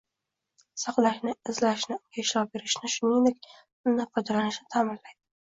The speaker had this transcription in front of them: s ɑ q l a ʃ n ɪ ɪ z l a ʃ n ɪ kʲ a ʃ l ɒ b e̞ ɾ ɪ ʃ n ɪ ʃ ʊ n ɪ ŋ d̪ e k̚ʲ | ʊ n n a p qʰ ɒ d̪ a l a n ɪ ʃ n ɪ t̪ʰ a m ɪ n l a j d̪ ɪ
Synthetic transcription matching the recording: s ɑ q l a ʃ n ɪ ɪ z l a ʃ n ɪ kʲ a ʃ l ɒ b e̞ ɾ ɪ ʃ n ɪ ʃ ʊ n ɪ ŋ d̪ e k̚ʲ | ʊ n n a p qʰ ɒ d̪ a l a n ɪ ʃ n ɪ t̪ʰ a m ɪ n l a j d̪ ɪ